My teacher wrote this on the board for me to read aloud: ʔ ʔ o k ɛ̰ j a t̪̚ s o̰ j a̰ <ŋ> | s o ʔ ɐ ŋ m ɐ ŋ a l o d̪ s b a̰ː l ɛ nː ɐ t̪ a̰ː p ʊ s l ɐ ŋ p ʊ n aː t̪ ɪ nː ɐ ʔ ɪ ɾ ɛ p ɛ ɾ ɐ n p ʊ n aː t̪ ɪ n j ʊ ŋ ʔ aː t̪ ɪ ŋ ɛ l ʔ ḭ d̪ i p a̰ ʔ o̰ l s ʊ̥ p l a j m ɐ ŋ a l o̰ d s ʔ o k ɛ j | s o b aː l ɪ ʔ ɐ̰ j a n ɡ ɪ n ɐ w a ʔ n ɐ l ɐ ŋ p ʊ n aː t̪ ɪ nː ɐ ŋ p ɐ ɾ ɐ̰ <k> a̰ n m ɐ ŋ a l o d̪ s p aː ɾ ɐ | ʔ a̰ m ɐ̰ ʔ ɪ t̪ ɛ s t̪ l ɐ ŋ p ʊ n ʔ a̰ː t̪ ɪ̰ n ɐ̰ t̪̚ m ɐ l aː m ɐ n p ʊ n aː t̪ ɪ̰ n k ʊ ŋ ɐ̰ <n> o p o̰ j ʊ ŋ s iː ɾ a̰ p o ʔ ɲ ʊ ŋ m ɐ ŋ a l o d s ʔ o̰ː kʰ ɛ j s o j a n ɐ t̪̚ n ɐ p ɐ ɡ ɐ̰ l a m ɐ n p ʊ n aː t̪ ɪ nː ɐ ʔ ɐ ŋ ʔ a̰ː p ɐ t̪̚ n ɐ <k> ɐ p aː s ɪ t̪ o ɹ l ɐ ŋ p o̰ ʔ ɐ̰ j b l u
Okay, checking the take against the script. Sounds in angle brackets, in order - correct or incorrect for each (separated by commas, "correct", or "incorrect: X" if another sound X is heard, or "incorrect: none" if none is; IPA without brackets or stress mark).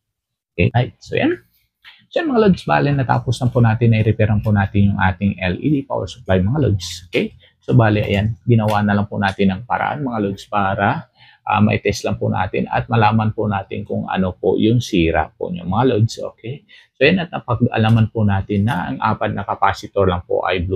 incorrect: n, incorrect: ʔ, correct, correct